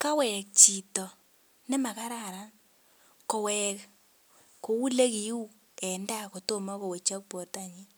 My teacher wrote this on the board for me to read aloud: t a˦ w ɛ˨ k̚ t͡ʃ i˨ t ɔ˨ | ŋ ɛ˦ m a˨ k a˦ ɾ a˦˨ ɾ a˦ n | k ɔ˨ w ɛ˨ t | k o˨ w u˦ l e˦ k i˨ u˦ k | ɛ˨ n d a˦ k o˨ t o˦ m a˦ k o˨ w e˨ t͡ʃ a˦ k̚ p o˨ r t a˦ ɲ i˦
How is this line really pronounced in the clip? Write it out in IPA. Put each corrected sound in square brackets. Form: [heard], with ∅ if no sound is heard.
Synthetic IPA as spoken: [k] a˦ w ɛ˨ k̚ t͡ʃ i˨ t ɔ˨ | [n] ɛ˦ m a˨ k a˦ ɾ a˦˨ ɾ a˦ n | k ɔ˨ w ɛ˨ [k] | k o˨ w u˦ l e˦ k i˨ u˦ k | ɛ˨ n d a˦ k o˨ t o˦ m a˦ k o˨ w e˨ t͡ʃ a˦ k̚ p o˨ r t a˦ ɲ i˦

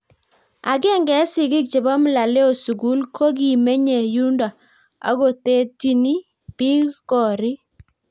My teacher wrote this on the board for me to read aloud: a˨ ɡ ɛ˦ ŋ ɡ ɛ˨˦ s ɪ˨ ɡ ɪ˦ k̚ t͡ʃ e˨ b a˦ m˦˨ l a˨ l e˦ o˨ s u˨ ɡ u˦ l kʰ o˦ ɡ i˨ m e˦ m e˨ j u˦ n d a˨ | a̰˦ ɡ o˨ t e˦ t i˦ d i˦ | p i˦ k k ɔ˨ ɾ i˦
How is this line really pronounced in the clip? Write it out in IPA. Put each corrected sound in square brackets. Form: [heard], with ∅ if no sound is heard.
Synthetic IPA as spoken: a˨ ɡ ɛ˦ ŋ ɡ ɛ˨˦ s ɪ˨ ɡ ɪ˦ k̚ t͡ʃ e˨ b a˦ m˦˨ l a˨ l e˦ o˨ s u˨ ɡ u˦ l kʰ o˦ ɡ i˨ m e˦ [ɲ] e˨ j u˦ n d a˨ | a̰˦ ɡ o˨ t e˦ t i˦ [n] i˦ | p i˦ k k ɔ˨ ɾ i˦

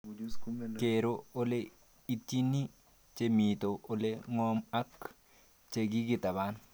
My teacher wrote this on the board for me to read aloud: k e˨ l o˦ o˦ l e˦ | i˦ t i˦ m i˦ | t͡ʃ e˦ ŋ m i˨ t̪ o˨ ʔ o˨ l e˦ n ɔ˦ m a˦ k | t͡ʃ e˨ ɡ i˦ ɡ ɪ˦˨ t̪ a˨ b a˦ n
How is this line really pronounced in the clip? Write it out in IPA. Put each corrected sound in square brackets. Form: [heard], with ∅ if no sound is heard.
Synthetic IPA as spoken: k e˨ [ɾ] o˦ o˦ l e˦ | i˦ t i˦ [n] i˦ | t͡ʃ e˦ [∅] m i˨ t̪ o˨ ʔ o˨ l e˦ [ŋ] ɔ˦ m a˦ k | t͡ʃ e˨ ɡ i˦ ɡ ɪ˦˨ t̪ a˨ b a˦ n

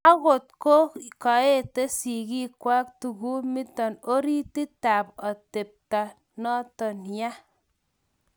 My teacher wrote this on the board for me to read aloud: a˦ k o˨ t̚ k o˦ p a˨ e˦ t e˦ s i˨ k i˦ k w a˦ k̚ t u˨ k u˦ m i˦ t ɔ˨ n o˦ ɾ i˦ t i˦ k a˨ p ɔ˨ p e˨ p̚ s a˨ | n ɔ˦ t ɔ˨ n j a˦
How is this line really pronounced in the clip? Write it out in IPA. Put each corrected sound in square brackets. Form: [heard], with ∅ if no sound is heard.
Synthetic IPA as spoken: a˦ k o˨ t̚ k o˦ [k] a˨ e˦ t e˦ s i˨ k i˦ k w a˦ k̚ t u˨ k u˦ m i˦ t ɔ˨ n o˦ ɾ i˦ t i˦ [t] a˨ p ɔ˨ [t] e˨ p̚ [t] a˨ | n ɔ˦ t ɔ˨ n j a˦

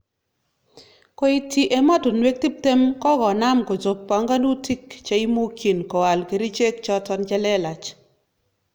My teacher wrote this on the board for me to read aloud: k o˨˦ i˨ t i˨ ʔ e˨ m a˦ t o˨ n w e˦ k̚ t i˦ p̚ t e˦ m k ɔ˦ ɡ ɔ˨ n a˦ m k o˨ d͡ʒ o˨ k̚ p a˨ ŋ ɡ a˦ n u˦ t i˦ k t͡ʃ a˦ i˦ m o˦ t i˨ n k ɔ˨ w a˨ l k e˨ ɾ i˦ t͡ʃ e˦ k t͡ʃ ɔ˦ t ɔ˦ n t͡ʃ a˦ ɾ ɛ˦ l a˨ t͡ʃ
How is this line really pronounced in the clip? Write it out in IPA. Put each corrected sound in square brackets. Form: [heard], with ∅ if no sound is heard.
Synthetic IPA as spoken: k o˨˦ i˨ t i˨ ʔ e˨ m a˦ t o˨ n w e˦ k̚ t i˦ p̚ t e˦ m k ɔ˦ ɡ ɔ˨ n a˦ m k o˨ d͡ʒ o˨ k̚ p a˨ ŋ ɡ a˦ n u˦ t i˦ k t͡ʃ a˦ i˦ m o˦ [k] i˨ n k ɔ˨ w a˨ l k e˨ ɾ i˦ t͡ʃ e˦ k t͡ʃ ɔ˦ t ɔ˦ n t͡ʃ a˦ [l] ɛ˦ l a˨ t͡ʃ

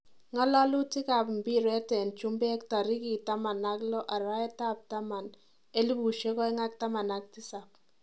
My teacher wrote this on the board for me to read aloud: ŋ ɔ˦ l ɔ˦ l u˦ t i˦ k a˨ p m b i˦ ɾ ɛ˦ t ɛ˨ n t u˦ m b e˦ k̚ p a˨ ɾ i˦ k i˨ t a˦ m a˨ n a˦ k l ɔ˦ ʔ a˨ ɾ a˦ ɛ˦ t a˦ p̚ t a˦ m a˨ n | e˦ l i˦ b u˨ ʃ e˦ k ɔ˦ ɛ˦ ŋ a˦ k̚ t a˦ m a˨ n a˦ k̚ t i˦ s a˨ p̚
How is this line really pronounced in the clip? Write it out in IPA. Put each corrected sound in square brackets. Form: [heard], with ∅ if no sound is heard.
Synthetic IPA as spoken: ŋ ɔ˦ l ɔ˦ l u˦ t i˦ k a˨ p m b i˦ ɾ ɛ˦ t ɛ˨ n [t͡ʃ] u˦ m b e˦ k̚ [t] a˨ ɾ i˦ k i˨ t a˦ m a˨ n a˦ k l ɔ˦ ʔ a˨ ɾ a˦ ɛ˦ t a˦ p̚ t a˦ m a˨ n | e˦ l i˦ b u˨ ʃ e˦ k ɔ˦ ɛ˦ ŋ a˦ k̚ t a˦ m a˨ n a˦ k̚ t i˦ s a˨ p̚

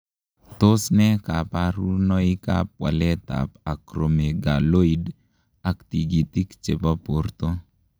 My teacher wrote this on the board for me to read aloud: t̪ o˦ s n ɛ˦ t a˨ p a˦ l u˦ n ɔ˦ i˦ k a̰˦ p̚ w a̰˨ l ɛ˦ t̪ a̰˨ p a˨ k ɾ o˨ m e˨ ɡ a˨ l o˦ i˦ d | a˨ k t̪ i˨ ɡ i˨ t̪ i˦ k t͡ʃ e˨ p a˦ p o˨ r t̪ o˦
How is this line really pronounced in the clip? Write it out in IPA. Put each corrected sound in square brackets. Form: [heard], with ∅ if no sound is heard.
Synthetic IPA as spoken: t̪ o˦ s n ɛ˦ [k] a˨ p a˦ [ɾ] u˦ n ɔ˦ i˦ k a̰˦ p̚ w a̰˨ l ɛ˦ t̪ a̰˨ p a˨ k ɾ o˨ m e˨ ɡ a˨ l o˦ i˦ d | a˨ k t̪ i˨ ɡ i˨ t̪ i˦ k t͡ʃ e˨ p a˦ p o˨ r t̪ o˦

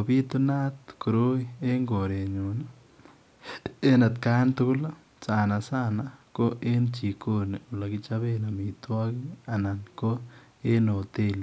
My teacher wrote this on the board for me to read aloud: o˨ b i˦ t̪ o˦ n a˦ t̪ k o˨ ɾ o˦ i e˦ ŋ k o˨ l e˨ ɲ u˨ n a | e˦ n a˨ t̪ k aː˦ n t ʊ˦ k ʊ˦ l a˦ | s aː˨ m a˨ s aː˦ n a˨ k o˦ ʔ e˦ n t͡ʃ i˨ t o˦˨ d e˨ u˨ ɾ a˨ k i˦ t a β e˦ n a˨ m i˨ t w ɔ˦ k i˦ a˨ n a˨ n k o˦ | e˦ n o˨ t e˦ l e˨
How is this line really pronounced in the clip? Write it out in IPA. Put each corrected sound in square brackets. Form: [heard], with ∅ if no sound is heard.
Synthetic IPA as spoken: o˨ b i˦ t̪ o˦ n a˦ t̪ k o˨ ɾ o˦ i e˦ ŋ [ɡ] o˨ [ɾ] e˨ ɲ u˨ n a | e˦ n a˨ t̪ k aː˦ n t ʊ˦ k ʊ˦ l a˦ | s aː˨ [n] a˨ s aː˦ n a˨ k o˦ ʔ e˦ n t͡ʃ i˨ [k] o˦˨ [n] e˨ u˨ [l] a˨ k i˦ [t͡ʃ] a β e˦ n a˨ m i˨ t w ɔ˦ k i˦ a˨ n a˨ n k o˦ | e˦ n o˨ t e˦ l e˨

